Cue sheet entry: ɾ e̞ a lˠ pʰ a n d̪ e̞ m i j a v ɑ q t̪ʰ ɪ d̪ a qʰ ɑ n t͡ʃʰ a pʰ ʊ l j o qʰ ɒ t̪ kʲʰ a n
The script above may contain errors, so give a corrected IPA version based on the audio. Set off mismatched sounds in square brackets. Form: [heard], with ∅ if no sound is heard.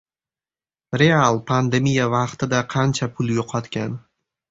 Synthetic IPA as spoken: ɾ e̞ a lˠ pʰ a n d̪ e̞ m i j a v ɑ q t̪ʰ ɪ d̪ a qʰ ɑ n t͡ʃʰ a pʰ ʊ l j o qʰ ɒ t̪ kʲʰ a n